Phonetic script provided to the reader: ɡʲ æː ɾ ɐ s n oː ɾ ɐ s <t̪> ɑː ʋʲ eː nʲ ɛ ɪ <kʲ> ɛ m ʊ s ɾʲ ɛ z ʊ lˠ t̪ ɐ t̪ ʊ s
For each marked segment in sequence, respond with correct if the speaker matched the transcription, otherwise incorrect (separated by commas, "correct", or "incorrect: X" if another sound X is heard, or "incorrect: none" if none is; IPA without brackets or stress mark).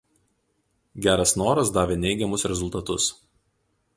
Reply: incorrect: d̪, incorrect: ɡʲ